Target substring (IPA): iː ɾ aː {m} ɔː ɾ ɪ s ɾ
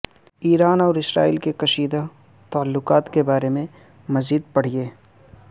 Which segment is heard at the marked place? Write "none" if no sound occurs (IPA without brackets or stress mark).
n